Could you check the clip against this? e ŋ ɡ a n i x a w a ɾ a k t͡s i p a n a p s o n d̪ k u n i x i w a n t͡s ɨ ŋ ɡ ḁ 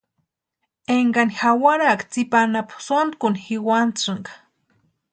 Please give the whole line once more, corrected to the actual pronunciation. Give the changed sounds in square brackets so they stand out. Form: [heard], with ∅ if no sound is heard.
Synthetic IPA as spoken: e ŋ ɡ a n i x a w a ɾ a k t͡s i p a n a p s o n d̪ k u n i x i w a n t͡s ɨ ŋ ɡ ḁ